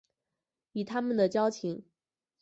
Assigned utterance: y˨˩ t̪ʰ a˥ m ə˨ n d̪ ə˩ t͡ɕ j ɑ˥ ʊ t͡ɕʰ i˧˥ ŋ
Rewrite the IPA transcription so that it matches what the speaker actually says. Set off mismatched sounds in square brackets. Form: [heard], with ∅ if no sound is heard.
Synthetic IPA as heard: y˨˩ t̪ʰ a˥ m ə˨ n d̪ ə˩ t͡ɕ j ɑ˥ ʊ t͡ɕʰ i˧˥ ŋ